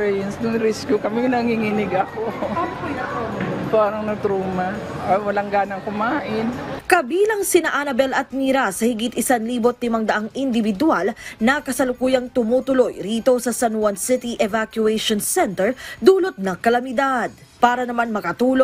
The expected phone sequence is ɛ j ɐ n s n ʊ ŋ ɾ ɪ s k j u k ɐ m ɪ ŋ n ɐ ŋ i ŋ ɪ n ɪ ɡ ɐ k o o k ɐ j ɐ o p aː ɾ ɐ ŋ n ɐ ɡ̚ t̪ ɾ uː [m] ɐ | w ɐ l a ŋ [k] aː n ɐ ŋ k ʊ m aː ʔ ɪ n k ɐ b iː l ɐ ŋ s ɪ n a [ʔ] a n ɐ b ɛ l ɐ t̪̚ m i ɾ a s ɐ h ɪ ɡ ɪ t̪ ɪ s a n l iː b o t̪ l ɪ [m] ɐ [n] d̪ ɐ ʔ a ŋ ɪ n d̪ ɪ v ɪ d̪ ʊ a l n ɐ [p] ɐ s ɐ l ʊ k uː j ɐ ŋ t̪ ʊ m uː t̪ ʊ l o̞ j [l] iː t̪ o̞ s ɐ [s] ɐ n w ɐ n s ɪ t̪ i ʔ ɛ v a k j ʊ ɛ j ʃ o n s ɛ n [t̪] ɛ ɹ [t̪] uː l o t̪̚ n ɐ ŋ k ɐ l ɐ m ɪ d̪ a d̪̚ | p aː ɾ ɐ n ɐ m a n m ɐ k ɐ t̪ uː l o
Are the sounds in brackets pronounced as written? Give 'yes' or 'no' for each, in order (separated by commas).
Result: yes, no, yes, yes, no, no, no, yes, yes, no